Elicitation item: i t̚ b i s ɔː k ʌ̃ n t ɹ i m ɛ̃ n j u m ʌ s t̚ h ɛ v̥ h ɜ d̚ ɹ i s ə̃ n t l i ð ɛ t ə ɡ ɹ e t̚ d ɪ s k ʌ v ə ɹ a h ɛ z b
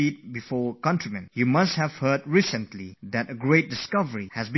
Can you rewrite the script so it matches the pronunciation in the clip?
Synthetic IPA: i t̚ b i f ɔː k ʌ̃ n t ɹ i m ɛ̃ n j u m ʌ s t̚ h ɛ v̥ h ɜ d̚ ɹ i s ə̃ n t l i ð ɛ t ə ɡ ɹ e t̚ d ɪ s k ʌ v ə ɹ i h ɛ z b